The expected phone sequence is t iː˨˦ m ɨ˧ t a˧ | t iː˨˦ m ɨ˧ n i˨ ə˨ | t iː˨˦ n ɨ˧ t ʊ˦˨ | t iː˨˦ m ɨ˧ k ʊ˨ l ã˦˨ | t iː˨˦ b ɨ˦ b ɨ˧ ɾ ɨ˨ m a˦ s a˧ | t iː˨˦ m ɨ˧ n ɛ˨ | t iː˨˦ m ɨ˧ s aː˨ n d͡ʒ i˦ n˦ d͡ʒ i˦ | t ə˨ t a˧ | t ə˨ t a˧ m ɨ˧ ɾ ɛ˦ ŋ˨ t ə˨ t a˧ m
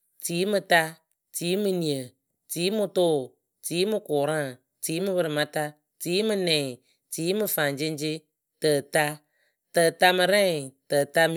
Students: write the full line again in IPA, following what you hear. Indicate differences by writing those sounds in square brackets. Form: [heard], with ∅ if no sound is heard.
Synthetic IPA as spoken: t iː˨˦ m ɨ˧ t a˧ | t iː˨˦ m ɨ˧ n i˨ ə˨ | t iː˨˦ [m] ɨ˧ t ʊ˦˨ | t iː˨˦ m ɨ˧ k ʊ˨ [ɾ] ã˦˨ | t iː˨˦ [m] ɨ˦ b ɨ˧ ɾ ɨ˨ m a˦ [t] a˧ | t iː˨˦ m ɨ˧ n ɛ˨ | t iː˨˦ m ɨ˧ [f] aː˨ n d͡ʒ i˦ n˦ d͡ʒ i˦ | t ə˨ t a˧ | t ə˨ t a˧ m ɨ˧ ɾ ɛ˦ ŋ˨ t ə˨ t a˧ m